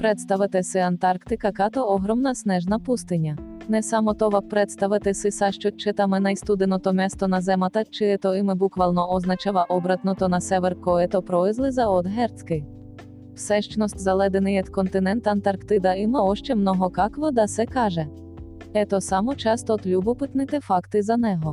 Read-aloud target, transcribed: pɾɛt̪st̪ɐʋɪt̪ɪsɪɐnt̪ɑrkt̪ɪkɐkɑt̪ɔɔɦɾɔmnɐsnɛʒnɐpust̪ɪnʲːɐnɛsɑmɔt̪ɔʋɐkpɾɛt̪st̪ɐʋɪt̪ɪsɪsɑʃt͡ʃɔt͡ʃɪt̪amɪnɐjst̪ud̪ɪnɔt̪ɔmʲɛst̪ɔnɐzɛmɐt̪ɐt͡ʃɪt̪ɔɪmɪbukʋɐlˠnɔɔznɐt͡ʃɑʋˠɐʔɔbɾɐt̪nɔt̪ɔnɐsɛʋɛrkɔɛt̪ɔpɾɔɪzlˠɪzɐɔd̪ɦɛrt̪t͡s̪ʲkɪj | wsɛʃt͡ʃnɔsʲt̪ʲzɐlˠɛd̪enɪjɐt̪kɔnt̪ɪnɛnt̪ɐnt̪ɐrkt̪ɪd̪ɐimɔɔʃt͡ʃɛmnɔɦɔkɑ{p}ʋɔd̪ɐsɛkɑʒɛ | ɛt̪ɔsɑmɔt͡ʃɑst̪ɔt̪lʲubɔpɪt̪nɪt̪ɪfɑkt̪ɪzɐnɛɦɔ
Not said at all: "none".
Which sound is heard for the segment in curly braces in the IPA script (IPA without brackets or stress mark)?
k